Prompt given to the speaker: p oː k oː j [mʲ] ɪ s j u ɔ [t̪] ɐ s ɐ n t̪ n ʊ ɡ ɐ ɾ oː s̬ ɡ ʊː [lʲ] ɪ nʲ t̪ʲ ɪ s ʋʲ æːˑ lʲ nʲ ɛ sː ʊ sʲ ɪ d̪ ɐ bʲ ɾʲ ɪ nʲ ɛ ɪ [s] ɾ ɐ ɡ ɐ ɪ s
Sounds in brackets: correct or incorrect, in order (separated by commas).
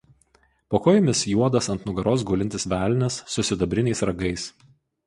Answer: correct, incorrect, correct, correct